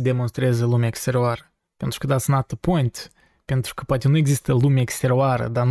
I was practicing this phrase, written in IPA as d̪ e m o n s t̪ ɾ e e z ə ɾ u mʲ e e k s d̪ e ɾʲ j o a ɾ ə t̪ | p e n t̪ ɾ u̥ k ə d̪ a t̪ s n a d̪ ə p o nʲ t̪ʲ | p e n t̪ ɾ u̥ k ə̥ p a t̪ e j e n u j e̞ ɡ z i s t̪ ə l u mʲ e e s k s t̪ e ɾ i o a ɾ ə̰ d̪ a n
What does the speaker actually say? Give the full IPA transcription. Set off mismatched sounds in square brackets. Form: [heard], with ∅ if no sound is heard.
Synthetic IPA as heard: d̪ e m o n s t̪ ɾ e e z ə [l] u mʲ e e k s [t̪] e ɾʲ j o a ɾ ə [∅] | p e n t̪ ɾ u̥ k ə d̪ a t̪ s n a [t̪] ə p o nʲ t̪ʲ | p e n t̪ ɾ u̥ k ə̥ p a t̪ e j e n u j e̞ ɡ z i s t̪ ə l u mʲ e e [∅] k s t̪ e ɾ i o a ɾ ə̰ d̪ a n